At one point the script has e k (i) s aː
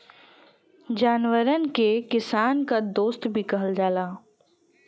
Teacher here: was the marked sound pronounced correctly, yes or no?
no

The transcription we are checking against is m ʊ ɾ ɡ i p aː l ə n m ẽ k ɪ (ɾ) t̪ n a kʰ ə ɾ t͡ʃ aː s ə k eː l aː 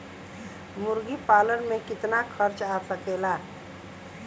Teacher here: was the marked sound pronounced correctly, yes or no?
no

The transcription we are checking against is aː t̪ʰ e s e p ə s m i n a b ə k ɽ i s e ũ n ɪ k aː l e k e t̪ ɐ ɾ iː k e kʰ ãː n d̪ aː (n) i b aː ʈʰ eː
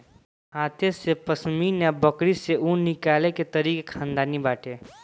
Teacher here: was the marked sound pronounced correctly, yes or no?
yes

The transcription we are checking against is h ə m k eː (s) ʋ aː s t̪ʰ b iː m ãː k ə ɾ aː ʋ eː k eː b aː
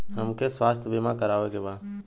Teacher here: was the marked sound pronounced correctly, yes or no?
yes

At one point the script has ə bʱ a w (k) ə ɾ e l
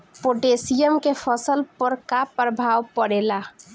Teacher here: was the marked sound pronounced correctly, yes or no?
no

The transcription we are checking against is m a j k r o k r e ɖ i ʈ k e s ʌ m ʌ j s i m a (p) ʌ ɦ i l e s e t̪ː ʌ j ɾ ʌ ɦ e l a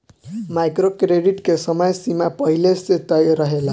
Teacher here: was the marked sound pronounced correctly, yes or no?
yes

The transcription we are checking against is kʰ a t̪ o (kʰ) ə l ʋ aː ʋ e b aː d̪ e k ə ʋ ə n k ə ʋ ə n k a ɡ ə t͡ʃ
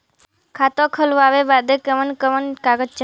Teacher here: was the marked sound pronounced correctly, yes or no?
yes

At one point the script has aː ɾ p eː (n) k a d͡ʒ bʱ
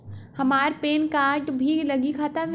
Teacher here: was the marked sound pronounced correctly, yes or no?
yes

